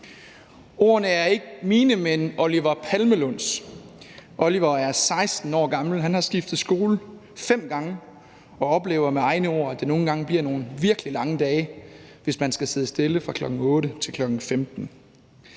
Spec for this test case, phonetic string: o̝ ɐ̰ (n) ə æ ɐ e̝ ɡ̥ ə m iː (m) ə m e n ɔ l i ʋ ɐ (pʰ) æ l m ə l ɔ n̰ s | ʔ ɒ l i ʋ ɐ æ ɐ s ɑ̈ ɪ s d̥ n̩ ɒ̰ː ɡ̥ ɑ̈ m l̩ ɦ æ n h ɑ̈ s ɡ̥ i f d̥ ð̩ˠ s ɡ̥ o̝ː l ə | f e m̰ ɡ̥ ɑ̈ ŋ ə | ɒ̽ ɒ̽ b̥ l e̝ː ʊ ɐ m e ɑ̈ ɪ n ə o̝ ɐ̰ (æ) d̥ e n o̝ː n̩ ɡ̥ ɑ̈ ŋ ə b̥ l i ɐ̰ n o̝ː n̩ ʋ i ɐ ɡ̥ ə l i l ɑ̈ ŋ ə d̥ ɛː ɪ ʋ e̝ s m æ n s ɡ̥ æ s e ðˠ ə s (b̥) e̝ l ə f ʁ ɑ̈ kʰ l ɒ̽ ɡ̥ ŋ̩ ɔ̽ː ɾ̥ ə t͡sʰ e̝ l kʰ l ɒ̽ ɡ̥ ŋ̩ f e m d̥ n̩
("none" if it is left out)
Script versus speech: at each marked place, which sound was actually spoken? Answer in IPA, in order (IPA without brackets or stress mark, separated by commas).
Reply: n, n, pʰ, æ, d̥